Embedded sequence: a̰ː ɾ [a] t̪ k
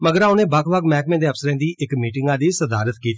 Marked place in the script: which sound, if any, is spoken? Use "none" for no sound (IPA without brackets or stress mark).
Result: ə